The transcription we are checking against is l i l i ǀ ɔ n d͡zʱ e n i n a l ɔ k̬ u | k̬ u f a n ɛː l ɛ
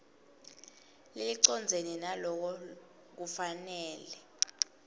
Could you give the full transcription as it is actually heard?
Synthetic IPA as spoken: l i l i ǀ ɔ n d͡zʱ e n i n a l ɔ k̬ ɔ | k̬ u f a n ɛː l ɛ